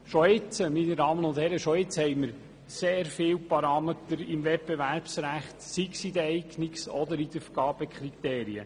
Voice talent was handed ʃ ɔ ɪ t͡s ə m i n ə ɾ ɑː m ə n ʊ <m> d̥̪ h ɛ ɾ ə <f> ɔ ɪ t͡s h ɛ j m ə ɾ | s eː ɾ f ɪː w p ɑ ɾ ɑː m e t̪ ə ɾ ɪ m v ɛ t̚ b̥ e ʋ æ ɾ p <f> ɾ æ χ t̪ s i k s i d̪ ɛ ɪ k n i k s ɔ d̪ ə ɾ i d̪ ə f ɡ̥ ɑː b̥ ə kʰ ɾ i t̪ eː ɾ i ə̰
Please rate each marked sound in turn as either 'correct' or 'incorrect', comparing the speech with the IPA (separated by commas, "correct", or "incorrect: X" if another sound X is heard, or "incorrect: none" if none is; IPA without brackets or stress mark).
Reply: incorrect: n, incorrect: ʃ, incorrect: s